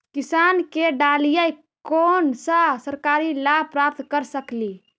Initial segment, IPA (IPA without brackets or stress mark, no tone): k